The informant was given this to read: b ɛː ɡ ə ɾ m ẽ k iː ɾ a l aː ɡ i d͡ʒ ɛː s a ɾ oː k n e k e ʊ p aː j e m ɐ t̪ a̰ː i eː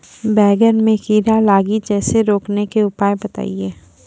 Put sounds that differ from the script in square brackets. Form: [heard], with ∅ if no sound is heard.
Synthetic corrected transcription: b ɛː ɡ ə ɾ m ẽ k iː ɾ a l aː ɡ i d͡ʒ ɛː s [e] ɾ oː k n e k e ʊ p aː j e [b] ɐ t̪ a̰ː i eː